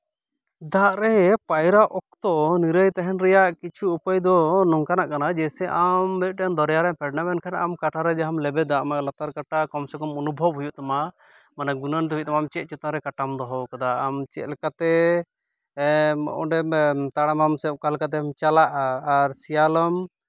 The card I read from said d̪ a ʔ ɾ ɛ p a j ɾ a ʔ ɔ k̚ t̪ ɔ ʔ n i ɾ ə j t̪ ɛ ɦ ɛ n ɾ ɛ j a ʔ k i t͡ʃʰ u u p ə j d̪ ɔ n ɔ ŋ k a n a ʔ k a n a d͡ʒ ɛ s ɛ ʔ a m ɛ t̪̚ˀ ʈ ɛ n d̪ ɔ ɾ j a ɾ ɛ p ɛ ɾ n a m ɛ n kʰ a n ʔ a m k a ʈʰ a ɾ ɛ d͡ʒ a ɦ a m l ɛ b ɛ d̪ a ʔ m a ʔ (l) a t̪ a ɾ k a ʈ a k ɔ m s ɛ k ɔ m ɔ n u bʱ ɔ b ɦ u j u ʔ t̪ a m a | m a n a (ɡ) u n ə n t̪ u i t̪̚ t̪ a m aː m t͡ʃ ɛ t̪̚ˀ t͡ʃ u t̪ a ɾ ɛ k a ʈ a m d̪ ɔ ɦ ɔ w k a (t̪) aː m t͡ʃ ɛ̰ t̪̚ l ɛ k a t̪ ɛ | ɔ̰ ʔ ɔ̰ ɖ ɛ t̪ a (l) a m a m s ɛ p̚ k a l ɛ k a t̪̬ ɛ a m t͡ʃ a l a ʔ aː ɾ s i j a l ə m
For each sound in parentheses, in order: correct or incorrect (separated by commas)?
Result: correct, correct, incorrect, incorrect